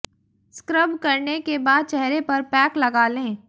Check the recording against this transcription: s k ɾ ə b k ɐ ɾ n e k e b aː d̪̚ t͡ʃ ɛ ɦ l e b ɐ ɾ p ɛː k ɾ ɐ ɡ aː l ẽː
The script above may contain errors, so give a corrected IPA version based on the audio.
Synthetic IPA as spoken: s k ɾ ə b k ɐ ɾ n e k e b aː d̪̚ t͡ʃ ɛ ɦ ɾ e p ɐ ɾ p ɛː k l ɐ ɡ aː l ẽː

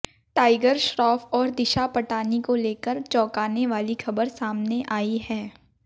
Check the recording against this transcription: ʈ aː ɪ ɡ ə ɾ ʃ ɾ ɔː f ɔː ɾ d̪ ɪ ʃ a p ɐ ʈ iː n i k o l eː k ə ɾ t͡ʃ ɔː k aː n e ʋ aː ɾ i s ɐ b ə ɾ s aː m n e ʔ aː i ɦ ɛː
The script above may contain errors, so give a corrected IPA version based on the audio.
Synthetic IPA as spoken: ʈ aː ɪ ɡ ə ɾ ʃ ɾ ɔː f ɔː ɾ d̪ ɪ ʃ a p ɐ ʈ aː n i k o l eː k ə ɾ t͡ʃ ɔː k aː n e ʋ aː l i x ɐ b ə ɾ s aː m n e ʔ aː i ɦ ɛː

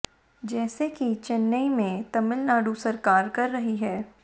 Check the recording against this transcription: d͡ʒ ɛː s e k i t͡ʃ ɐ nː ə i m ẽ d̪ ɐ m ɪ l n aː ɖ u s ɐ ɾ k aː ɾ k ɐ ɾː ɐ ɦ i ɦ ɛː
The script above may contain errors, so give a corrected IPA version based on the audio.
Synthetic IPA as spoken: d͡ʒ ɛː s e k i t͡ʃ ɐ nː ə i m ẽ t̪ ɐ m ɪ l n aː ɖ u s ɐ ɾ k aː ɾ k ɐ ɾː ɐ ɦ i ɦ ɛː

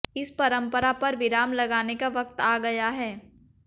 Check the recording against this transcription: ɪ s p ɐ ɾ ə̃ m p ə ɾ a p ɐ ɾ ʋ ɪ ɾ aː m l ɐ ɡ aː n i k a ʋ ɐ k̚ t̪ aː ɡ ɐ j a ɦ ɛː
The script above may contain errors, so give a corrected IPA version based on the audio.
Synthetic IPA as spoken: ɪ s p ɐ ɾ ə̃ m p ə ɾ a p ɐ ɾ ʋ ɪ ɾ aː m l ɐ ɡ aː n e k a ʋ ɐ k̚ t̪ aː ɡ ɐ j a ɦ ɛː

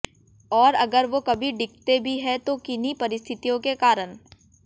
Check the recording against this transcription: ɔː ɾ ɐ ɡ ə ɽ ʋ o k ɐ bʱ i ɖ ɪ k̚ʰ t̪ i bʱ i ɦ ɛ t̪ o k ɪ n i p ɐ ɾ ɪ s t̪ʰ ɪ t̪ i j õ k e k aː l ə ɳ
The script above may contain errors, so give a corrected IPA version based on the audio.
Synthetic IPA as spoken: ɔː ɾ ɐ ɡ ə ɾ ʋ o k ɐ bʱ i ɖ ɪ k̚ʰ t̪ e bʱ i ɦ ɛ t̪ o k ɪ n i p ɐ ɾ ɪ s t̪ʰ ɪ t̪ i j õ k e k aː ɾ ə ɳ

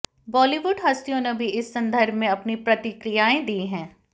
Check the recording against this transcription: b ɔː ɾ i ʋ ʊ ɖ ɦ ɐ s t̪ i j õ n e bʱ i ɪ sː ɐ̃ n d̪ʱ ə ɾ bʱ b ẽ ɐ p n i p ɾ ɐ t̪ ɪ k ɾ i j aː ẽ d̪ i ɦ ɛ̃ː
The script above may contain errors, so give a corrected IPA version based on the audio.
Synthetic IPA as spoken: b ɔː l i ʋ ʊ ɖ ɦ ɐ s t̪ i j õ n e bʱ i ɪ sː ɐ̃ n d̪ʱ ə ɾ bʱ m ẽ ɐ p n i p ɾ ɐ t̪ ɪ k ɾ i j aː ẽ d̪ i ɦ ɛ̃ː

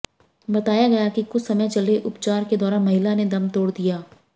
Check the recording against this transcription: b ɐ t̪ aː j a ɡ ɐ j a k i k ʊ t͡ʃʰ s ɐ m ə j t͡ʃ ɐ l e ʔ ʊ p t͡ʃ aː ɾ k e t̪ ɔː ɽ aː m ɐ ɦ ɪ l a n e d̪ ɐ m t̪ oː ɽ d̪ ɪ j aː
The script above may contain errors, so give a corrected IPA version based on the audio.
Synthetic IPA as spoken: b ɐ t̪ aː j a ɡ ɐ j a k i k ʊ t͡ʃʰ s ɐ m ə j t͡ʃ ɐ l e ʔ ʊ p t͡ʃ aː ɾ k e d̪ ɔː ɾ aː m ɐ ɦ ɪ l a n e d̪ ɐ m t̪ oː ɽ d̪ i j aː

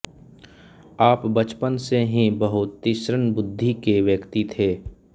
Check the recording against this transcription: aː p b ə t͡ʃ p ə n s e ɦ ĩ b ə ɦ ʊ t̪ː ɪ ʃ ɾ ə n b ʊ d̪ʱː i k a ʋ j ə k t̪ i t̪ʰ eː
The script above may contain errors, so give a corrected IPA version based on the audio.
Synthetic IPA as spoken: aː p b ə t͡ʃ p ə n s e ɦ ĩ b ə ɦ ʊ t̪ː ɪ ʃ ɾ ə n b ʊ d̪ʱː i k e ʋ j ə k t̪ i t̪ʰ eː

